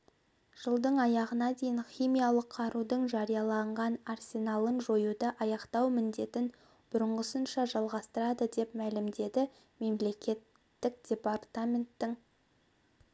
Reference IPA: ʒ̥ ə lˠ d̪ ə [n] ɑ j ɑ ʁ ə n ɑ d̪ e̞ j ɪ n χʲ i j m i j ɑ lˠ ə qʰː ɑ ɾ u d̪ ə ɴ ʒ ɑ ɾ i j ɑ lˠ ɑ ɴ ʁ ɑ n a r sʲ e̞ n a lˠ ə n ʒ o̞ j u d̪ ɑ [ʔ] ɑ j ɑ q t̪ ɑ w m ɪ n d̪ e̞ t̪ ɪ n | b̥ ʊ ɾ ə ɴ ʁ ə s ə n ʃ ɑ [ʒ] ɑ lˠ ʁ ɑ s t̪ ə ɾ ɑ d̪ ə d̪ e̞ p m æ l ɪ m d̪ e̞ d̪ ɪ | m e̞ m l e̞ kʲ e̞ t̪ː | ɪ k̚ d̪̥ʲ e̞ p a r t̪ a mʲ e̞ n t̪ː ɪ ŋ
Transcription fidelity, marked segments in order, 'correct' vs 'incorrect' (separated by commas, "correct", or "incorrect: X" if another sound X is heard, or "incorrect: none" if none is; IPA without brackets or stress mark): incorrect: ɴ, correct, correct